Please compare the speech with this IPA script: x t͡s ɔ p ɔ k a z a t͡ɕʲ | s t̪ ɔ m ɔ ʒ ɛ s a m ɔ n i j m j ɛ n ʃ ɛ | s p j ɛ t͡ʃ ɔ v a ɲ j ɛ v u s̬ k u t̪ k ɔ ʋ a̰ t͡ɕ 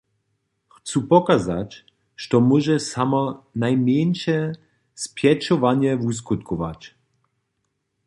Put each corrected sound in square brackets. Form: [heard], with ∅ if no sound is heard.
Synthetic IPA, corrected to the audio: x t͡s [u] p ɔ k a z a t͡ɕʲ | [ʃ] t̪ ɔ m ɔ ʒ ɛ s a m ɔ n [a] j m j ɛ n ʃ ɛ | s p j ɛ t͡ʃ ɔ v a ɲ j ɛ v u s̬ k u t̪ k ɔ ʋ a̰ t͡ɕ